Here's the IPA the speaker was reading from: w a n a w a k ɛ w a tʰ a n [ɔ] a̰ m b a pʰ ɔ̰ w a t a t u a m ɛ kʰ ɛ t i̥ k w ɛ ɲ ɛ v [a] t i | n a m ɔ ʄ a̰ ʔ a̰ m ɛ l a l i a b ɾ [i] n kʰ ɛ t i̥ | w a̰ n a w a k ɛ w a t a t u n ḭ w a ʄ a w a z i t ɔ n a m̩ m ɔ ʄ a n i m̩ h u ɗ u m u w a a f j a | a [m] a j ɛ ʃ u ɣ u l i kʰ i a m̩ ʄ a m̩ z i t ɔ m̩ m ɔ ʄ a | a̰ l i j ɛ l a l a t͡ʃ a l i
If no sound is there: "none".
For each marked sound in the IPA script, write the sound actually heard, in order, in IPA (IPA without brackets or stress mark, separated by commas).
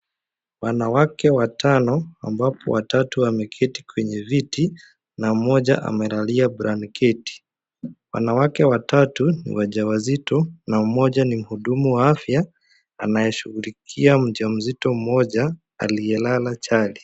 ɔ, i, a, n